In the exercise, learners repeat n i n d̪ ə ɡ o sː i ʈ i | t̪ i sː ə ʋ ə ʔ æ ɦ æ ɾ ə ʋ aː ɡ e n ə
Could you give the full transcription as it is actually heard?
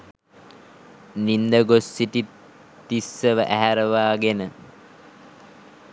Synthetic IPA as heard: n i n d̪ ə ɡ o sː i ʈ i | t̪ i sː ə ʋ ə ʔ æ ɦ æ ɾ ə ʋ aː ɡ e n ə